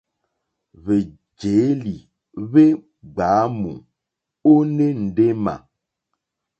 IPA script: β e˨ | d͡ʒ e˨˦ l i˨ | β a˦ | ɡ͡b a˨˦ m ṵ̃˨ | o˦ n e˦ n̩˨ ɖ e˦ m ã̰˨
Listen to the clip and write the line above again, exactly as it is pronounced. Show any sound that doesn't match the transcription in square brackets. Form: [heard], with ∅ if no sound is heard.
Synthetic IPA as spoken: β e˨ | d͡ʒ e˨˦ l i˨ | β [e˦] | ɡ͡b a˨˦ m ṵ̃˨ | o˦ n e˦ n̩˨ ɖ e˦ m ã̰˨